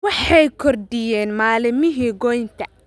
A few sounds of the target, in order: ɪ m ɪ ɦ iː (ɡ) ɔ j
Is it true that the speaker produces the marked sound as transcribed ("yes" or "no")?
yes